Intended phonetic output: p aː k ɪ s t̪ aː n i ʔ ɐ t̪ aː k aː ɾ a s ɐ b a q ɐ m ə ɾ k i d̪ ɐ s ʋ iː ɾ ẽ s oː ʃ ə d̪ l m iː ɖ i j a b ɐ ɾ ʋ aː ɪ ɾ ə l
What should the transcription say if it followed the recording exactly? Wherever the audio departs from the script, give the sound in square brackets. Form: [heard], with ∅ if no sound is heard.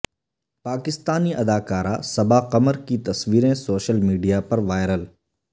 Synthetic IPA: p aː k ɪ s t̪ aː n i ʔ ɐ [d̪] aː k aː ɾ a s ɐ b a q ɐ m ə ɾ k i [t̪] ɐ s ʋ iː ɾ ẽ s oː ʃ ə [∅] l m iː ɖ i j a [p] ɐ ɾ ʋ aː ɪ ɾ ə l

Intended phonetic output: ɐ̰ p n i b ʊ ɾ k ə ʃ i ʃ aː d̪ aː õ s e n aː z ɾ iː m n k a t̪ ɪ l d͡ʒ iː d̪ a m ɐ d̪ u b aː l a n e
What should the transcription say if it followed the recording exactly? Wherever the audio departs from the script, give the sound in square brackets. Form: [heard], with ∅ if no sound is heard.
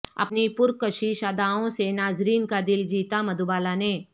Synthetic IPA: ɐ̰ p n i [p] ʊ ɾ k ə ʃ i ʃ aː d̪ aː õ s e n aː z ɾ iː [∅] n k a [d̪] ɪ l d͡ʒ iː [t̪] a m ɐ d̪ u b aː l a n e

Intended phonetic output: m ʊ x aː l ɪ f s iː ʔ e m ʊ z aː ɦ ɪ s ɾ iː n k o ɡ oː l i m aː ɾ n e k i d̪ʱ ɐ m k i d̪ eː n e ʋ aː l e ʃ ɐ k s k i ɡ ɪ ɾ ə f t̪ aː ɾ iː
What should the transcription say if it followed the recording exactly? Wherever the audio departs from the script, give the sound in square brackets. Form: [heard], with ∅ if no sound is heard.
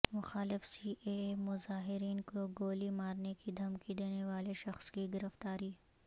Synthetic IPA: m ʊ x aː l ɪ f s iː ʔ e m ʊ z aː ɦ ɪ [∅] ɾ iː n k o ɡ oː l i m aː ɾ n e k i d̪ʱ ɐ m k i d̪ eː n e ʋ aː l e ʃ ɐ [x] s k i ɡ ɪ ɾ ə f t̪ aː ɾ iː

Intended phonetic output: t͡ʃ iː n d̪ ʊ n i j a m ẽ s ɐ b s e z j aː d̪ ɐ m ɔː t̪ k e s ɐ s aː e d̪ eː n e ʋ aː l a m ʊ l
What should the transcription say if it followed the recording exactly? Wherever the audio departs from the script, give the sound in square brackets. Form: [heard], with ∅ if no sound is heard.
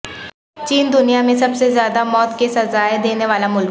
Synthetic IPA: t͡ʃ iː n d̪ ʊ n i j a m ẽ s ɐ b s e z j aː d̪ [a] m ɔː t̪ k e s ɐ [z] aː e d̪ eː n e ʋ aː l a m ʊ l

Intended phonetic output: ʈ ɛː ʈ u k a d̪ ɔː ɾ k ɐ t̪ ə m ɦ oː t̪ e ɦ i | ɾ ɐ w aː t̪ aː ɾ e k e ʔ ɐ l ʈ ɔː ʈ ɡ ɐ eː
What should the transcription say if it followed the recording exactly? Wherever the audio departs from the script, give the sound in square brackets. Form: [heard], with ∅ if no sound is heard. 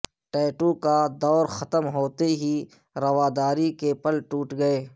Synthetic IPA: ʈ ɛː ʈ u k a d̪ ɔː ɾ [x] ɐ t̪ ə m ɦ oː t̪ e ɦ i | ɾ ɐ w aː [d̪] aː ɾ [i] k e [p] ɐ l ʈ [uː] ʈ ɡ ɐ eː

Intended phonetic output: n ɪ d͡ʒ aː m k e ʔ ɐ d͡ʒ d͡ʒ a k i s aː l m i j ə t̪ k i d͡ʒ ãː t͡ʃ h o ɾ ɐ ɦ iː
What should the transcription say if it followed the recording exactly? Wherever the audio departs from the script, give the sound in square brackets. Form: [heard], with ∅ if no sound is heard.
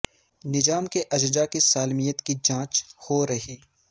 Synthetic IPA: n ɪ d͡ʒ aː m k e ʔ ɐ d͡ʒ d͡ʒ a k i s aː l m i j ə t̪ k i d͡ʒ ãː t͡ʃ h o ɾ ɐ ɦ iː

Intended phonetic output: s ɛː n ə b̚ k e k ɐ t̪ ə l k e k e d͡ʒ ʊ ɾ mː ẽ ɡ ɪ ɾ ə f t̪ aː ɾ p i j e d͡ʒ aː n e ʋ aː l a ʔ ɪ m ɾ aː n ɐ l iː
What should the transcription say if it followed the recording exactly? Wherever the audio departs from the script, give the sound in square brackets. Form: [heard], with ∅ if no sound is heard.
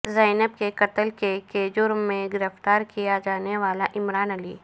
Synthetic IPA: [z] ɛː n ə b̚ k e k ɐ t̪ ə l k e k e d͡ʒ ʊ ɾ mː ẽ ɡ ɪ ɾ ə f t̪ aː ɾ [k] i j [a] d͡ʒ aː n e ʋ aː l a ʔ ɪ m ɾ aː n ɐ l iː

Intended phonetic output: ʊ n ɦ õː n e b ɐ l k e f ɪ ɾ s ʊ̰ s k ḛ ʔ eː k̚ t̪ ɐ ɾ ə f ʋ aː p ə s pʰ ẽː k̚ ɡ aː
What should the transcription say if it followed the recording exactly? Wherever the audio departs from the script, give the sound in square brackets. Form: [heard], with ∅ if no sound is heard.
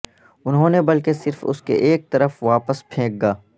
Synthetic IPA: ʊ n ɦ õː n e b ɐ l k e [s] ɪ ɾ [f] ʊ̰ s k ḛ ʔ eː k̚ t̪ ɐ ɾ ə f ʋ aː p ə s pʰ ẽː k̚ ɡ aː

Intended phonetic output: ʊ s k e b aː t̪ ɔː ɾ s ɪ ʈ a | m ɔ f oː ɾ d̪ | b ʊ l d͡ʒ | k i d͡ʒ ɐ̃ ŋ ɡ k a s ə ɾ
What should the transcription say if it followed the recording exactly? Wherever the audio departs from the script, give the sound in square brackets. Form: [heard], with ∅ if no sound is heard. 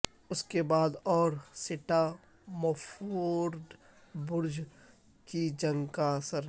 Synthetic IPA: ʊ s k e b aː [d̪] ɔː ɾ s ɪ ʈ a | m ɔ f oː ɾ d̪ | b ʊ [ɾ] d͡ʒ | k i d͡ʒ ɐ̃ ŋ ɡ k a s ə ɾ

